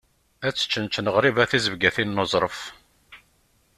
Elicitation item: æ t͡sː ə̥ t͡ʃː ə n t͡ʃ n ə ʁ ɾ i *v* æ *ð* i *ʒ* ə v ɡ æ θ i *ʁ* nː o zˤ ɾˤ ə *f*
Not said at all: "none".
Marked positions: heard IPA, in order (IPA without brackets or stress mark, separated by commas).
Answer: v, θ, z, none, f